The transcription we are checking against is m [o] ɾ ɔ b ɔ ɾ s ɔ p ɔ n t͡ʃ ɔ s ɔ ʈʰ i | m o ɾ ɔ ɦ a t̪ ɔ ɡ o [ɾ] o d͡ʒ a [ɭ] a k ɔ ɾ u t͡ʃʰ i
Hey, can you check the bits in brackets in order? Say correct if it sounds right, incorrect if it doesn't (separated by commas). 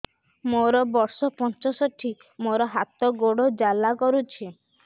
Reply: correct, incorrect, incorrect